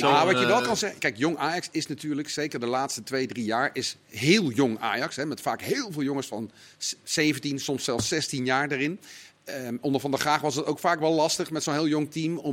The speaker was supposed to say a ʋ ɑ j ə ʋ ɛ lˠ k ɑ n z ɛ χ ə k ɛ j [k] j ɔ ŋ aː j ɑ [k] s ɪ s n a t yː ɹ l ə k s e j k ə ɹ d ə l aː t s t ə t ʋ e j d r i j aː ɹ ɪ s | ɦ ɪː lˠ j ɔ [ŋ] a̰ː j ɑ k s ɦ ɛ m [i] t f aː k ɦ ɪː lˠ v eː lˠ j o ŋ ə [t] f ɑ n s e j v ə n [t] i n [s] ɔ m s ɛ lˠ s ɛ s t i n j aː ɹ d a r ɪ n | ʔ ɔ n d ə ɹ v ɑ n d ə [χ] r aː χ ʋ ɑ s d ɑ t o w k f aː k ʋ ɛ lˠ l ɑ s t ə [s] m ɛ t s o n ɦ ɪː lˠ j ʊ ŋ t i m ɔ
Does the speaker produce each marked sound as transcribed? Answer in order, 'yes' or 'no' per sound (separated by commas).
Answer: yes, yes, yes, no, no, yes, yes, yes, no